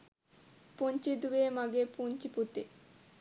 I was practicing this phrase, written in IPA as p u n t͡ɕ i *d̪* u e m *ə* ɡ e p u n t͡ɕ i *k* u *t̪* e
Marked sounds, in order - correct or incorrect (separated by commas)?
correct, incorrect, incorrect, correct